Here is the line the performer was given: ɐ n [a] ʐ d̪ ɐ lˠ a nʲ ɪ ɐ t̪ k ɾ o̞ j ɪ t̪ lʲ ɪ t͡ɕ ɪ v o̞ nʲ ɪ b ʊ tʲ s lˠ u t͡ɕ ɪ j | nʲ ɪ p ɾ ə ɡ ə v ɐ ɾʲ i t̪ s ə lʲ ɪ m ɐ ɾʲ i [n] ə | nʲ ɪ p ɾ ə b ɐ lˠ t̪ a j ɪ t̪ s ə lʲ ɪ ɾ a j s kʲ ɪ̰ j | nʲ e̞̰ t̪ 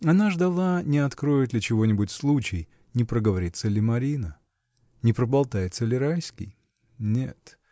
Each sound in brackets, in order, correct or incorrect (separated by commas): correct, correct